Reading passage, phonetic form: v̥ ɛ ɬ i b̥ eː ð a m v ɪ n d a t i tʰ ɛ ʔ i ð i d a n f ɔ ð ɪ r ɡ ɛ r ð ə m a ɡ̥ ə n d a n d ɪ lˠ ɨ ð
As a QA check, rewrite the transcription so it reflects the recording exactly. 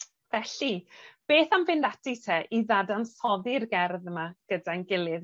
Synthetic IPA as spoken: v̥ ɛ ɬ i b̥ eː θ a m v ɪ n d a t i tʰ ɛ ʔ i ð a d a n s ɔ ð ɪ r ɡ ɛ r ð ə m a ɡ̥ ə d a n ɡ ɪ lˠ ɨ ð